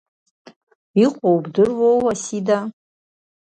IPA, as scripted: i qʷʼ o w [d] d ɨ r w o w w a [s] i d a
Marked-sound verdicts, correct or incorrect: incorrect, correct

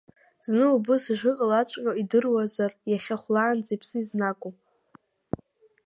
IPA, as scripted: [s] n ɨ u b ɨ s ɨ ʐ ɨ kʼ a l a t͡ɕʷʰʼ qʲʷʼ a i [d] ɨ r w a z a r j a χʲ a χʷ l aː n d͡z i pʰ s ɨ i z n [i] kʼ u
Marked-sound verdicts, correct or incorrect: incorrect, correct, incorrect

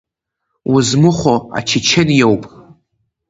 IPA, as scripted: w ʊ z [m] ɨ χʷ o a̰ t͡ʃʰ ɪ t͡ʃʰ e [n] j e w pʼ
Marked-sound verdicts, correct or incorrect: correct, correct

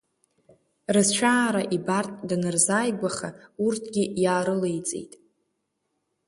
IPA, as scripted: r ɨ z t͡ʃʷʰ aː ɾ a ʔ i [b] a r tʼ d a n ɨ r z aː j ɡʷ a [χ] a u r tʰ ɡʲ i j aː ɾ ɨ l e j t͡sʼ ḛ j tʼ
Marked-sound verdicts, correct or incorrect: correct, correct

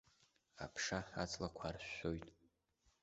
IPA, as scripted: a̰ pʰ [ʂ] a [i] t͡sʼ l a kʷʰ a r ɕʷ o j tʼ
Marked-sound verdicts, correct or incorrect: correct, incorrect

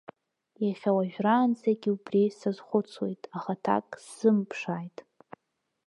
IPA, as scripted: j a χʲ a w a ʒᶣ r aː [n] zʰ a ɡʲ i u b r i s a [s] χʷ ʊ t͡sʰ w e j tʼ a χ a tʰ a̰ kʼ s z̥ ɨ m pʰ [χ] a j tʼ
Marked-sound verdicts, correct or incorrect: correct, incorrect, incorrect

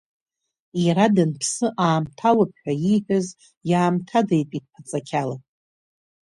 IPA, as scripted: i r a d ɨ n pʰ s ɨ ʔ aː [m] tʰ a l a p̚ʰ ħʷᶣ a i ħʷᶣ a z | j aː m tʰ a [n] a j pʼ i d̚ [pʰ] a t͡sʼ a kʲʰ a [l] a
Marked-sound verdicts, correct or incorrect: correct, incorrect, correct, correct

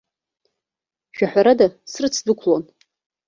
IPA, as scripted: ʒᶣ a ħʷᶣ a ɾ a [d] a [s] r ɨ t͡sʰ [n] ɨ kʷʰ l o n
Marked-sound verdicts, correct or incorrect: correct, correct, incorrect

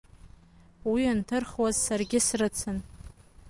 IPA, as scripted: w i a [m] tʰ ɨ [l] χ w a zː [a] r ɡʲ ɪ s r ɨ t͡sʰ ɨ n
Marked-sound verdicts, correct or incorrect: incorrect, incorrect, correct

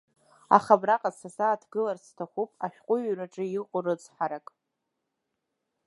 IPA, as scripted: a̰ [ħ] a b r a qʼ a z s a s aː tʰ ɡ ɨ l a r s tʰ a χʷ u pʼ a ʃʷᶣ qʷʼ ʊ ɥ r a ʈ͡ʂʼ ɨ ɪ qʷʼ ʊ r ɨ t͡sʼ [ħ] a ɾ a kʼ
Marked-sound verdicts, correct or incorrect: incorrect, correct

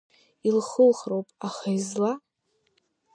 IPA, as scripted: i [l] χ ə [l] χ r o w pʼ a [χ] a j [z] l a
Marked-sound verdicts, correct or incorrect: correct, correct, correct, correct

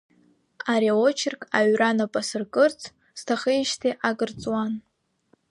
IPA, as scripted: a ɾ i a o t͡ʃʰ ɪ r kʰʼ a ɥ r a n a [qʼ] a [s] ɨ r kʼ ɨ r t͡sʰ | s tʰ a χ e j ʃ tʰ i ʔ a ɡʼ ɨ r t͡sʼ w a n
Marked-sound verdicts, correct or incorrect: incorrect, correct

